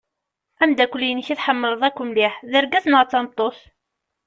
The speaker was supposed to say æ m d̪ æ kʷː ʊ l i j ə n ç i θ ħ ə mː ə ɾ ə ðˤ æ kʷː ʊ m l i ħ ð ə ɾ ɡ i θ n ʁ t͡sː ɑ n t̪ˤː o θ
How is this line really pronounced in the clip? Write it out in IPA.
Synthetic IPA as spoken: æ m d̪ æ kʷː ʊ l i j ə n ç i θ ħ ə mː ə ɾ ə ðˤ æ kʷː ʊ m l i ħ ð ə ɾ ɡ æ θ n ʁ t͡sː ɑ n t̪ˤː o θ